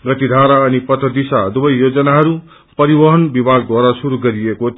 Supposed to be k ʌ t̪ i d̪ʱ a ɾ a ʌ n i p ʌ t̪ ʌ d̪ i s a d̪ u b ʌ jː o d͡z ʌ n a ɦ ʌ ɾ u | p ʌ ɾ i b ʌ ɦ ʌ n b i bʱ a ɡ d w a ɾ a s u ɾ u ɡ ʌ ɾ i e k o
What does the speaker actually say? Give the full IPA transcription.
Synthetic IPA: ɡ ʌ t̪ i d̪ʱ a ɾ a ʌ n i p ʌ t̪ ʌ d̪ i s a d̪ u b ʌ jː o d͡z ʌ n a ɦ ʌ ɾ u | p ʌ ɾ i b ʌ ɦ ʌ n b i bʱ a ɡ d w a ɾ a s u ɾ u ɡ ʌ ɾ i e k o